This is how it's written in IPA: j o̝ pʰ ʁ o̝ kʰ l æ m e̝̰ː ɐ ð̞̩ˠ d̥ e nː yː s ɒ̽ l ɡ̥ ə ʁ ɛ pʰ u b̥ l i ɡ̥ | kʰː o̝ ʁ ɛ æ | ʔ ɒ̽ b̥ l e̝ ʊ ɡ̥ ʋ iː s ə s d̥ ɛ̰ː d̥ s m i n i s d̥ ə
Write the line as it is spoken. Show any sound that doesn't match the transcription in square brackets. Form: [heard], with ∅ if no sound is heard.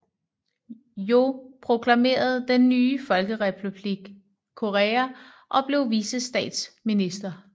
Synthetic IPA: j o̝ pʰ ʁ o̝ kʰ l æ m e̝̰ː ɐ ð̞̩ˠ d̥ e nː yː [f] ɒ̽ l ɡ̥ ə ʁ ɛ pʰ u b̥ l i ɡ̥ | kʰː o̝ ʁ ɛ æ | ʔ ɒ̽ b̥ l e̝ ʊ [∅] ʋ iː s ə s d̥ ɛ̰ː d̥ s m i n i s d̥ [ɐ]